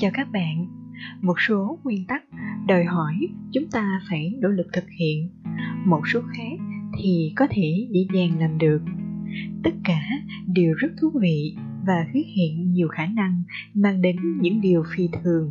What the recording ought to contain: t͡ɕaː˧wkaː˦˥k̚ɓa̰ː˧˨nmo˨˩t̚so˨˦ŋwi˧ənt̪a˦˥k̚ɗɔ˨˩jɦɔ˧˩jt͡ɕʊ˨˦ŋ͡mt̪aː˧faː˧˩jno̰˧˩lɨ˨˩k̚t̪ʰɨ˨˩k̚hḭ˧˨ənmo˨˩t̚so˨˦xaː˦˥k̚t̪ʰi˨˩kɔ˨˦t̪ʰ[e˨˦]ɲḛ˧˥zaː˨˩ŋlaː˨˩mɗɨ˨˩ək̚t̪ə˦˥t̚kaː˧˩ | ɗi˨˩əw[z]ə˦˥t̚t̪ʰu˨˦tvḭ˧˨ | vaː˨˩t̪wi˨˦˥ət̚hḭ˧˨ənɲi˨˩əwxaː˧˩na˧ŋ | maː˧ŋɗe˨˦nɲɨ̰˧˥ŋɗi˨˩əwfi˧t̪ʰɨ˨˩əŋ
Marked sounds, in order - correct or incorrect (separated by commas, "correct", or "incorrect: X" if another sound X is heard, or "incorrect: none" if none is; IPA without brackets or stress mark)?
incorrect: e˧˩, correct